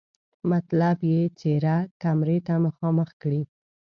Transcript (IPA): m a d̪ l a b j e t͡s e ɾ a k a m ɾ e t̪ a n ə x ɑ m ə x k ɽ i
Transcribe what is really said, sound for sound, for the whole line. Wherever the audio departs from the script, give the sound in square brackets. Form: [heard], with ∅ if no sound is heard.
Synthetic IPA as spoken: m a [t̪] l a b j e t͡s e ɾ a k a m ɾ e t̪ a [m] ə x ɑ m ə x k ɽ i